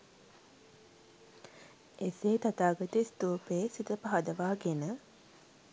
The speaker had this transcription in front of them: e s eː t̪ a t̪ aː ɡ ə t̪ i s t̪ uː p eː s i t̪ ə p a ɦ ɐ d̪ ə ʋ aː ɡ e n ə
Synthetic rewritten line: e s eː t̪ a t̪ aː ɡ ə t̪ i s t̪ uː p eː s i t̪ ə p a ɦ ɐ d̪ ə ʋ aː ɡ e n ə

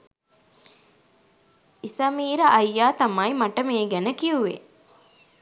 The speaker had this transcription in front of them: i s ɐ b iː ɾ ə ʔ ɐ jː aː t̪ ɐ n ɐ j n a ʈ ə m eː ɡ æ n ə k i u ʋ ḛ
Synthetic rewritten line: i s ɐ m iː ɾ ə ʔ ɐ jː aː t̪ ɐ m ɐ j m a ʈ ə m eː ɡ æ n ə k i u ʋ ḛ

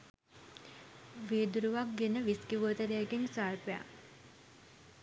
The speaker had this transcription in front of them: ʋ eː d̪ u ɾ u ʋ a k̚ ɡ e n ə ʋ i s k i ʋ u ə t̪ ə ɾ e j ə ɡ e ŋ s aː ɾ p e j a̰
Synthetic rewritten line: ʋ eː d̪ u ɾ u ʋ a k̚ ɡ e n ə ʋ i s k i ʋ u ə t̪ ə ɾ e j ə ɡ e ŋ s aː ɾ p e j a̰

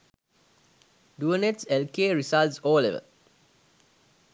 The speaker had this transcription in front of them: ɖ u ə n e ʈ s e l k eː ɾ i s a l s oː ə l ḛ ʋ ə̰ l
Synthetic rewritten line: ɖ u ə n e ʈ s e l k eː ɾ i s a l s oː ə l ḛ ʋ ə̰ l

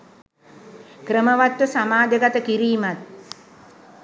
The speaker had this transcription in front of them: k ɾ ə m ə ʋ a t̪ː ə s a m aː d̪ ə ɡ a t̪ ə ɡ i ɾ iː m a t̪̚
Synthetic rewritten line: k ɾ ə m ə ʋ a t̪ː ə s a m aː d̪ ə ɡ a t̪ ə k i ɾ iː m a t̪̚

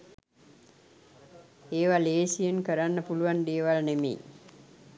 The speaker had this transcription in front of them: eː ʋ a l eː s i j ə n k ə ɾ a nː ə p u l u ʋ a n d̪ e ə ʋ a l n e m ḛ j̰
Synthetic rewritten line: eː ʋ a l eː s i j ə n k ə ɾ a nː ə p u l u ʋ a n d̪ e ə ʋ a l n e m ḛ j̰

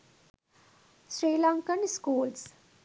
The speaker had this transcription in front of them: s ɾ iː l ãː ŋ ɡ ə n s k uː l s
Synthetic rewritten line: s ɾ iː l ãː ŋ k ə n s k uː l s

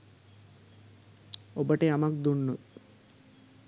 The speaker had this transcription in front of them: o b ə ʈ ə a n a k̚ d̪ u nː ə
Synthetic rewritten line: o b ə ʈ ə a m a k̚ d̪ u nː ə

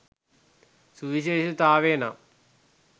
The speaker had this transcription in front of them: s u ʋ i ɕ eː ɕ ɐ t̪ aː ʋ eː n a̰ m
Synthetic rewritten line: s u ʋ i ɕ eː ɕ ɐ t̪ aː ʋ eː n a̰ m

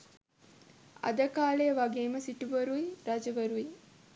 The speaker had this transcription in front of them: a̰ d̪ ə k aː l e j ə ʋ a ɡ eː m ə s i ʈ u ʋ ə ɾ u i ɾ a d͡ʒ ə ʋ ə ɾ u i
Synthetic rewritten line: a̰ d̪ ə k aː l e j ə ʋ a ɡ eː m ə s i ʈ u ʋ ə ɾ u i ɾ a d͡ʒ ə ʋ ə ɾ u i

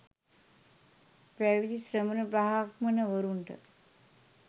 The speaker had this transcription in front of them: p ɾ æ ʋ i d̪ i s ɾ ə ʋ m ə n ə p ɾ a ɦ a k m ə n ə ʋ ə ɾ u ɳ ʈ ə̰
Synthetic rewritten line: p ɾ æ ʋ i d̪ i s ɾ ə m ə n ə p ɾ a ɦ a k m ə n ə ʋ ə ɾ u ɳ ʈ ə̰

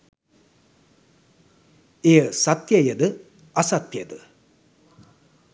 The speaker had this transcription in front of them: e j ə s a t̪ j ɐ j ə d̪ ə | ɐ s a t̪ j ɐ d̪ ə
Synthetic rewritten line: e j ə s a t̪ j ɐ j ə d̪ ə | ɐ s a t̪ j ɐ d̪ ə

